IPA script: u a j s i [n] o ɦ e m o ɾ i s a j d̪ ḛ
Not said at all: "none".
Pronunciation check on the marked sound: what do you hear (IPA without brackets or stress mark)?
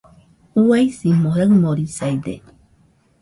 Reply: m